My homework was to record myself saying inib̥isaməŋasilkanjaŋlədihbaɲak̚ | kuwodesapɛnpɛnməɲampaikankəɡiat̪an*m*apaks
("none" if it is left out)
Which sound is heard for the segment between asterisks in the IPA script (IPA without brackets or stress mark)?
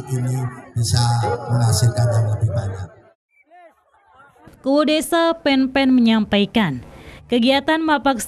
m